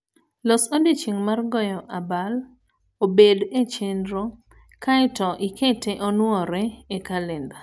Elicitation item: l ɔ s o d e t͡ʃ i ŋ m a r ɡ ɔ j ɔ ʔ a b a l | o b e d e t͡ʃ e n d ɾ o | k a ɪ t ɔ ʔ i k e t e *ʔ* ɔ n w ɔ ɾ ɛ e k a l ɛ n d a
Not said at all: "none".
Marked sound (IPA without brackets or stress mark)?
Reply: ʔ